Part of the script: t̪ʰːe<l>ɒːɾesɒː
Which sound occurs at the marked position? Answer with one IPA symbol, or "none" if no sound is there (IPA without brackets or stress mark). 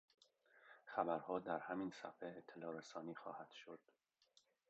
l